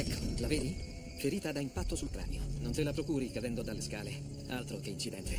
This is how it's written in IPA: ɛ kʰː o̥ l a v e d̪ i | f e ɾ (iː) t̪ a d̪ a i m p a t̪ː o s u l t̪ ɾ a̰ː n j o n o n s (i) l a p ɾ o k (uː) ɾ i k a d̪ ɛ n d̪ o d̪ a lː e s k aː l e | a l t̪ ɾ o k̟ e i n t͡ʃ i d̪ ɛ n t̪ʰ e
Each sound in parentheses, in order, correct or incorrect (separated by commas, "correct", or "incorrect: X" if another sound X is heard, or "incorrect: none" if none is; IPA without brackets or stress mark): correct, incorrect: e, correct